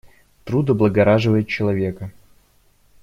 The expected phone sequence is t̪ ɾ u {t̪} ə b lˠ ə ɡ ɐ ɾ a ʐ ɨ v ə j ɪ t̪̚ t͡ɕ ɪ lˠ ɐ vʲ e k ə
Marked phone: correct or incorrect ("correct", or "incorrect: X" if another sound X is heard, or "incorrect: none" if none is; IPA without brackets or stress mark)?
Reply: incorrect: d̪